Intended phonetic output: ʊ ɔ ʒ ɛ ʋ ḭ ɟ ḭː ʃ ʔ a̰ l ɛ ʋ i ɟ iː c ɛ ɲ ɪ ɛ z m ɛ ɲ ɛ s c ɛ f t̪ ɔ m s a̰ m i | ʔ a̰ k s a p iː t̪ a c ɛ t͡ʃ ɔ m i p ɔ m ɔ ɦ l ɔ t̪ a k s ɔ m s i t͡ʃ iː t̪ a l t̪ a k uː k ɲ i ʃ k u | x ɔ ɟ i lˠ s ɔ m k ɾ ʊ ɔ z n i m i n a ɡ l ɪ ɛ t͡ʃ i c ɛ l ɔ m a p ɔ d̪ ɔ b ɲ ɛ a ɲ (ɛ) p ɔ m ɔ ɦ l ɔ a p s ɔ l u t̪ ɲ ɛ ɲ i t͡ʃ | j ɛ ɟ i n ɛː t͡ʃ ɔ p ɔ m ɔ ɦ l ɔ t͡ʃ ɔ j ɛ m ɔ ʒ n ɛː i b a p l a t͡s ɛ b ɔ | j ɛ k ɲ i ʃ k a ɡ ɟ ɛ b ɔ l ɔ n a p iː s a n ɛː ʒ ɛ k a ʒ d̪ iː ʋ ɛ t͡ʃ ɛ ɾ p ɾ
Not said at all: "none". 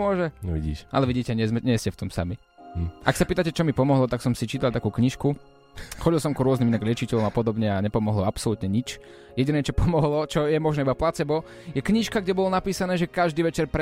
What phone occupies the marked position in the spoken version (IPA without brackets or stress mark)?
ɛ